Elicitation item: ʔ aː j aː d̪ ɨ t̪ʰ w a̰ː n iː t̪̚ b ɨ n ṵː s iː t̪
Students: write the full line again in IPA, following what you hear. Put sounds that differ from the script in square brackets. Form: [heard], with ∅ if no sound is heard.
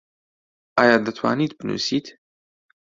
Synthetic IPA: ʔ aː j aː d̪ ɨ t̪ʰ w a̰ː n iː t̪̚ b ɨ n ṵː s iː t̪